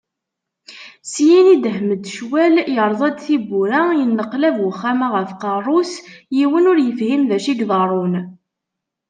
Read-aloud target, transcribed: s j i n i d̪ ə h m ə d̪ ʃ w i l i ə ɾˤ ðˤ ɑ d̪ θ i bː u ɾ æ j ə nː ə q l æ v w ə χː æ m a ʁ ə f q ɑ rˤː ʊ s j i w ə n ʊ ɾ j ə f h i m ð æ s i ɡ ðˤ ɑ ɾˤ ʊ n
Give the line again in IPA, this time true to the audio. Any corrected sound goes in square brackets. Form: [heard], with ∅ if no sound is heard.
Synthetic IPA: s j i n i d̪ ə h m ə d̪ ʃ w [æ] l [j] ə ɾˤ ðˤ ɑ d̪ θ i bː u ɾ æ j ə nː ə q l æ v w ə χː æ m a ʁ ə f q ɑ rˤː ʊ s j i w ə n ʊ ɾ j ə f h i m ð æ [ʃ] i ɡ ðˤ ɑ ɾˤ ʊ n